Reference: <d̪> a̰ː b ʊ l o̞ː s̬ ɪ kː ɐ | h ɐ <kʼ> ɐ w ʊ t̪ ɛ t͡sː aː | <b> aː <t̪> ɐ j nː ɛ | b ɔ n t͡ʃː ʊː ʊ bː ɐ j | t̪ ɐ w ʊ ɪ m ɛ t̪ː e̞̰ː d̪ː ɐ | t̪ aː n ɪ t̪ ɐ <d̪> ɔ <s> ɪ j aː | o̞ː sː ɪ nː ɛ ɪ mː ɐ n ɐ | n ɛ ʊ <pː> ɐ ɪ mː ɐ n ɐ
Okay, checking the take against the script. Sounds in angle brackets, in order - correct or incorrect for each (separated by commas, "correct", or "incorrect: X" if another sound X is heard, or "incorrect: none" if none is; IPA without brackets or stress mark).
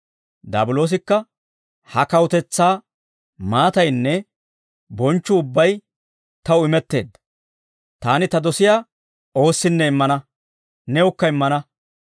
correct, incorrect: k, incorrect: m, correct, correct, correct, incorrect: kː